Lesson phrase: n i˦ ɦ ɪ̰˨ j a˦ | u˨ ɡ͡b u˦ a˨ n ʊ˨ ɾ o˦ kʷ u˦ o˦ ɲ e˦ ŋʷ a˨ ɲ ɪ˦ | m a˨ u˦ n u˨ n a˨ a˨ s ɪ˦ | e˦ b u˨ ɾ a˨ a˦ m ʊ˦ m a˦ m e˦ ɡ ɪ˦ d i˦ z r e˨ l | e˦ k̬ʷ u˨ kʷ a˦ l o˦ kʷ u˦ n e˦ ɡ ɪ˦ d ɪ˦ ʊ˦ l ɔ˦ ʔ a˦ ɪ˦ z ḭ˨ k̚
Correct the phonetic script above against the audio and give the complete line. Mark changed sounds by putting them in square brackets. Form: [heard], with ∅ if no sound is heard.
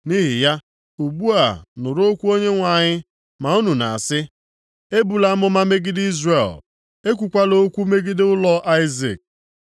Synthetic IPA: n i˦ ɦ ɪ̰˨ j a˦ | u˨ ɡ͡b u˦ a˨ n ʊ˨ ɾ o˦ kʷ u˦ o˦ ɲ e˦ ŋʷ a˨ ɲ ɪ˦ | m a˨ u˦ n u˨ n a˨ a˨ s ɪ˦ | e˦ b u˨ [l] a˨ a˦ m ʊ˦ m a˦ m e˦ ɡ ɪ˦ d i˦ z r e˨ l | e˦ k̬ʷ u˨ kʷ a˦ l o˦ kʷ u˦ [m] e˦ ɡ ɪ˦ d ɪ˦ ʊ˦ l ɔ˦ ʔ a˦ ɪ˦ z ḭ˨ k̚